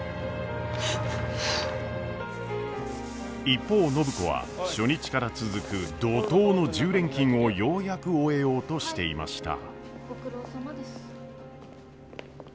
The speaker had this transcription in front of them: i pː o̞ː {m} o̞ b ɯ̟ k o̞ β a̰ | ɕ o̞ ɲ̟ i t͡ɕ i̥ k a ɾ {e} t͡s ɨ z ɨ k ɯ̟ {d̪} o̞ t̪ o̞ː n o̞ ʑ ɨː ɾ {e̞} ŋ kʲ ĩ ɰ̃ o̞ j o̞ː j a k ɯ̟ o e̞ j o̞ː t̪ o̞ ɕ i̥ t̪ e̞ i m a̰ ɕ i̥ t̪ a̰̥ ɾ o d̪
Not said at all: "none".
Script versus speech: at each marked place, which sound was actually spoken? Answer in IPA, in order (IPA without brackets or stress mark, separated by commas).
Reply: n, a, d̪, ẽ̞